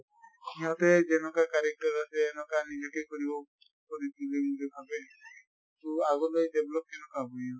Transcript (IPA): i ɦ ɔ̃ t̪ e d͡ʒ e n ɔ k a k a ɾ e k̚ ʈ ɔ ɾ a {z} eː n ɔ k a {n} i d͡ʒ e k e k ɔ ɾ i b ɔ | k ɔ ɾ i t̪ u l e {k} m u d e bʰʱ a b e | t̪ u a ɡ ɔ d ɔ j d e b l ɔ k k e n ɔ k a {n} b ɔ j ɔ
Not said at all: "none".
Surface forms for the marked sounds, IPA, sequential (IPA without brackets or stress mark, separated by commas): s, n, none, none